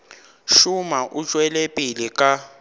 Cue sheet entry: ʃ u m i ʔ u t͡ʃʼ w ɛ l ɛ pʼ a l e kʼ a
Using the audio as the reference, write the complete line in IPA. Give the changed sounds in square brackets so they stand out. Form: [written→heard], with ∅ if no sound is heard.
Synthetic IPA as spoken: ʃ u m [i→a] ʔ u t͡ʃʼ w ɛ l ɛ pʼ [a→i] l [e→i] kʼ a